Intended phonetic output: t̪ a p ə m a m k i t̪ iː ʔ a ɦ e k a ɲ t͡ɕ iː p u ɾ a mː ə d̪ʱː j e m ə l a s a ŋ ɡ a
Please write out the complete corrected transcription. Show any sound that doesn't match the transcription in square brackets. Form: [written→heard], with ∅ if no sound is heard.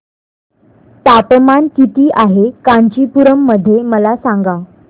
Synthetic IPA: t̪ a p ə m a [m→n] k i t̪ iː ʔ a ɦ e k a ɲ t͡ɕ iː p u ɾ [a→ə] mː ə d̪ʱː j e m ə l a s a ŋ ɡ a